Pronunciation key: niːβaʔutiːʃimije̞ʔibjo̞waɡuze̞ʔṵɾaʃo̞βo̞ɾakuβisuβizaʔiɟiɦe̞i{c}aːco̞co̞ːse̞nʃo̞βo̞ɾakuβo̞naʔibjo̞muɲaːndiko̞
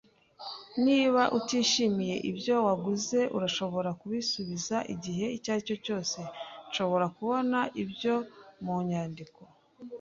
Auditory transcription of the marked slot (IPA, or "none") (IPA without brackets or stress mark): c